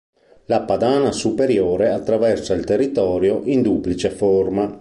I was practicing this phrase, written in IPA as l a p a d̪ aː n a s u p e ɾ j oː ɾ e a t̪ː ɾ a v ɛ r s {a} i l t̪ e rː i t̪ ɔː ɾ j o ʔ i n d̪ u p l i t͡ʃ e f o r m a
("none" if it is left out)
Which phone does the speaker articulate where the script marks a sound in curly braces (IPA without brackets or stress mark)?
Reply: a